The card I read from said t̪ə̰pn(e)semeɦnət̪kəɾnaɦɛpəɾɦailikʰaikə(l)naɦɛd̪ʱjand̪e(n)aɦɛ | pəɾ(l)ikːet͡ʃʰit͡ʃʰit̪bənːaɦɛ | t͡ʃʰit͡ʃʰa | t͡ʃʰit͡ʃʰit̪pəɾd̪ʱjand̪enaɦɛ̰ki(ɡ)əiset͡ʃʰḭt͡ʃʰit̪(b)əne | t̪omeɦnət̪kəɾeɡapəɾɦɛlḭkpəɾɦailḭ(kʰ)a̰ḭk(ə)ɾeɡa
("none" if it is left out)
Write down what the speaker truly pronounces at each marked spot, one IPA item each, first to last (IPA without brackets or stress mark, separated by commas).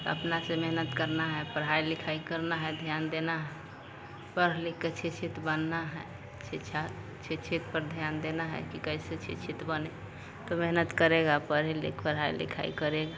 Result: a, ɾ, n, l, k, b, kʰ, ə